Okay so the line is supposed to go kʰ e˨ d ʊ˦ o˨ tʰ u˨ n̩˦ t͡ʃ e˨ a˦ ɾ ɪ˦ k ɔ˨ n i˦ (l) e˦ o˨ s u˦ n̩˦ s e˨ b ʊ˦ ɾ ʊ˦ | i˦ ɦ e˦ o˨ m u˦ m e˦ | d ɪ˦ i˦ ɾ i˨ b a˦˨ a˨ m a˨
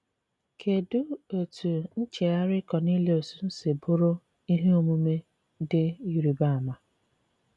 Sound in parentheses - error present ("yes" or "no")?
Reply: no